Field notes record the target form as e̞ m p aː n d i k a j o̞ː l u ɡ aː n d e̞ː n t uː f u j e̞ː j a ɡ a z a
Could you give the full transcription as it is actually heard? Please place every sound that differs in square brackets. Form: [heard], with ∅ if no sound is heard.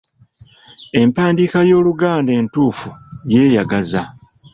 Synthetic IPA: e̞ m p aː n d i k a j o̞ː l u ɡ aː n d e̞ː n t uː f u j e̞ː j a ɡ a z a

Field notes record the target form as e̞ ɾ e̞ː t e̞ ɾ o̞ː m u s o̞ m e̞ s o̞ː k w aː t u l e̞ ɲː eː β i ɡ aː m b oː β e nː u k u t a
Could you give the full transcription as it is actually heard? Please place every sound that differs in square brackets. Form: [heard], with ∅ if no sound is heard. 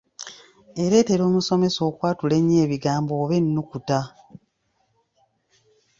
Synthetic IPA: e̞ ɾ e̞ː t e̞ ɾ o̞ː m u s o̞ m e̞ s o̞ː k w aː t u l e̞ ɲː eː β i ɡ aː m b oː β e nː u k u t a

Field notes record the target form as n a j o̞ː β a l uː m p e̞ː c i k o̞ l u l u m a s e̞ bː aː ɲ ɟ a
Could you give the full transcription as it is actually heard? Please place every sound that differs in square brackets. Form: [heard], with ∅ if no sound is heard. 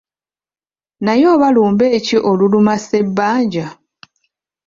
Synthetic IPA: n a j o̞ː β a l uː m [b] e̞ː c i [ʔ] o̞ l u l u m a s e̞ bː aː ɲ ɟ a

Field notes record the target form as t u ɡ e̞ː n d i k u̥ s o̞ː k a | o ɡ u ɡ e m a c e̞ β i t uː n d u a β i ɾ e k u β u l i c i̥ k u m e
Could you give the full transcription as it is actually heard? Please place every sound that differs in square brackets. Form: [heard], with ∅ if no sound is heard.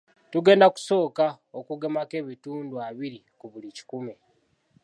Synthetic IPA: t u ɡ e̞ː n d [a] k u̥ s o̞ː k a | o [k] u ɡ e m a [k] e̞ β i t uː n d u a β i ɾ [i] k u β u l i c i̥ k u m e

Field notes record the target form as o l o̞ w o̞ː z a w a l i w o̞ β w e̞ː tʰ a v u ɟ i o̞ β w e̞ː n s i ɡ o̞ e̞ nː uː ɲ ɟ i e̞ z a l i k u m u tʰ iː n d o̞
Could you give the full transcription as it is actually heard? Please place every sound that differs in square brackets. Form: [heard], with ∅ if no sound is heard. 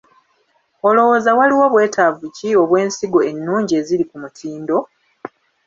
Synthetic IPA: o l o̞ w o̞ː z a w a l i w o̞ β w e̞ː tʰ a v u [c] i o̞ β w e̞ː n s i ɡ o̞ e̞ nː uː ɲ ɟ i e̞ z [i] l i k u m u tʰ iː n d o̞

